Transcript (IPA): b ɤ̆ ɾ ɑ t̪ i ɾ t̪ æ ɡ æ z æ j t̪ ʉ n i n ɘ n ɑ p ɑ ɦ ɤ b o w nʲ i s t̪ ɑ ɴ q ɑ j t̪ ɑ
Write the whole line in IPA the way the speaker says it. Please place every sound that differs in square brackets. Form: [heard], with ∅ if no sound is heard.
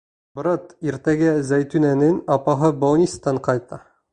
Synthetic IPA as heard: b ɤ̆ ɾ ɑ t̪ i ɾ t̪ æ ɡ æ z æ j t̪ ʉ n [æ] n ɘ n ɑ p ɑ ɦ ɤ b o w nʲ i s t̪ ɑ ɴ q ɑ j t̪ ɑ